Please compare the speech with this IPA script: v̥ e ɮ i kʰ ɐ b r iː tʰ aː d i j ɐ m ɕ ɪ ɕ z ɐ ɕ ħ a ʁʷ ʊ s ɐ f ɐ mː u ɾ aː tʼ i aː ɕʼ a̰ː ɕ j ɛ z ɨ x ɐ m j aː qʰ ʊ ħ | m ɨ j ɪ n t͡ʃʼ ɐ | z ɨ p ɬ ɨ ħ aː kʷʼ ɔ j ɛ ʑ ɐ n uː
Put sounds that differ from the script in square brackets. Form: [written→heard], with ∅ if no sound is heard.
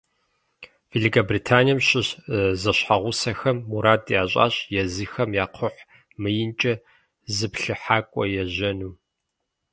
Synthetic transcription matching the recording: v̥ e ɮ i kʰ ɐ b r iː tʰ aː [d→n] i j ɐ m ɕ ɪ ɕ z ɐ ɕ ħ a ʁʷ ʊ s ɐ [f→x] ɐ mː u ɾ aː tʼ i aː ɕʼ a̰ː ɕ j ɛ z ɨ x ɐ m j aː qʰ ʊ ħ | m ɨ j ɪ n t͡ʃʼ ɐ | z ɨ p ɬ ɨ ħ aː kʷʼ ɔ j ɛ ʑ ɐ n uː